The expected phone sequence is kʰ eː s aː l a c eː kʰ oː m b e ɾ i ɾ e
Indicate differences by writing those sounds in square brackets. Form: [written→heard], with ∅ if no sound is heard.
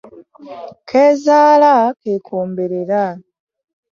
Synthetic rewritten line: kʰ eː [s→z] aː l a [c→k] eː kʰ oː m b e ɾ [i→e] ɾ [e→a]